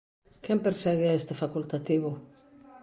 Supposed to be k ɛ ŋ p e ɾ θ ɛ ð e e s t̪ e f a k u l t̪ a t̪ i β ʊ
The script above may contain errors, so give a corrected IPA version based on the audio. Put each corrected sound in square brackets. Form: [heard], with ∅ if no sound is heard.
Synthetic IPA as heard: k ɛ [m] p e ɾ [s] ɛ [ɣ] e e s t̪ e f a k u l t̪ a t̪ i β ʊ